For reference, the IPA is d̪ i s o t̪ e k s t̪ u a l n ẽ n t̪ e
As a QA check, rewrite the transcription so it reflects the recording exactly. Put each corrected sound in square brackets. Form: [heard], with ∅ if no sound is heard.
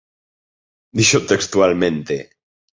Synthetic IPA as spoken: d̪ i [ʃ] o t̪ e k s t̪ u a l [m] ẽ n t̪ e

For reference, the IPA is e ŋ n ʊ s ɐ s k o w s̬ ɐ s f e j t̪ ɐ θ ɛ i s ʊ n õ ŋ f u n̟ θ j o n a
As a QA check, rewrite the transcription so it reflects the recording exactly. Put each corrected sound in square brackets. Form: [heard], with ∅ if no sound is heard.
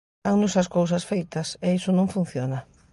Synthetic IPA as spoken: [a] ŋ n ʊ s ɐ s k o w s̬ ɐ s f e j t̪ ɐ [s] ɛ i s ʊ n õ ŋ f u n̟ θ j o n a

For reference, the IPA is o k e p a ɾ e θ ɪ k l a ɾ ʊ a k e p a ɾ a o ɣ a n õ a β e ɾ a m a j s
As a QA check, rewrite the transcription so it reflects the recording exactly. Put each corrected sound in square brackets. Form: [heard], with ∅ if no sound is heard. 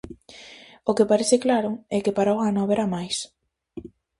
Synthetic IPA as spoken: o k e p a ɾ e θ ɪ k l a ɾ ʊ [ɛ] k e p a ɾ a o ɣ a n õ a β e ɾ a m a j s

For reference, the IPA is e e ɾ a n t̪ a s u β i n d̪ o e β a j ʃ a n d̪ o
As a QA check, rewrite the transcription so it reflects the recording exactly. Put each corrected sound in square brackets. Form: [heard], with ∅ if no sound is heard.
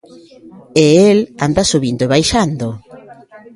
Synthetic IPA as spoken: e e [l] a n [d̪] a s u β i n d̪ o e β a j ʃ a n d̪ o

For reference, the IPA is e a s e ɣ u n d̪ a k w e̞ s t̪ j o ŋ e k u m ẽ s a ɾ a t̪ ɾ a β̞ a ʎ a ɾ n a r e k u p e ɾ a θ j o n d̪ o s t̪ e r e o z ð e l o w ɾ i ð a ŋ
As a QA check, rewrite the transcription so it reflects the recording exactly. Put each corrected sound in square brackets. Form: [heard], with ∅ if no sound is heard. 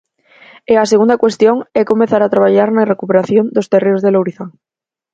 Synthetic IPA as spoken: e a s e ɣ u n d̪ a k w e̞ s t̪ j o ŋ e k [o] m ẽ [θ] a ɾ a t̪ ɾ a β̞ a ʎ a ɾ n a r e k u p e ɾ a θ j o n d̪ o s t̪ e r e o z ð e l o w ɾ i [θ] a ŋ

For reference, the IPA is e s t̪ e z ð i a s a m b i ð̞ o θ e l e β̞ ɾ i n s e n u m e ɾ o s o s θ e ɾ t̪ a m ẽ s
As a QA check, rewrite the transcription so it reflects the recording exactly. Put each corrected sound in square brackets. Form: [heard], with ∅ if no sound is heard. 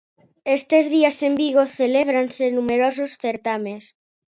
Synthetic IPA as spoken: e s t̪ e z ð i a s [e] m b i [ɣ̞] o θ e l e β̞ ɾ [a] n s e n u m e ɾ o s o s θ e ɾ t̪ a m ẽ s

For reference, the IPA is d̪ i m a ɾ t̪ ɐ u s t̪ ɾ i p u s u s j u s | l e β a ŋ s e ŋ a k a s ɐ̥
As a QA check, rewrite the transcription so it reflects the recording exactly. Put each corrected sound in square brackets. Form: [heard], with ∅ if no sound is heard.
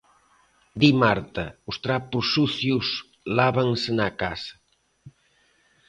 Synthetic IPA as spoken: d̪ i m a ɾ t̪ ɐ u s t̪ ɾ [a] p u s u [θ] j u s | l [a] β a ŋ s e [n] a k a s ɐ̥

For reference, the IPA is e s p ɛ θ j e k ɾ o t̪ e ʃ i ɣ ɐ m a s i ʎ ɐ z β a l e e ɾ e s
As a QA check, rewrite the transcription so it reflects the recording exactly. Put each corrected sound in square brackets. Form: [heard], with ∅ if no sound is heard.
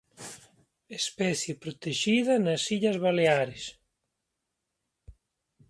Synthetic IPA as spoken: e s p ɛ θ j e [p] ɾ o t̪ e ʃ i [ð] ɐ [n] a s i ʎ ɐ z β a l e [a] ɾ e s

